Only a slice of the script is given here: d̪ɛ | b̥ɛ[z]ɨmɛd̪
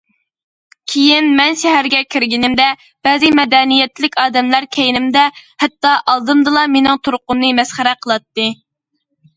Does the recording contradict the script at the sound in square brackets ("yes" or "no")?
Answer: no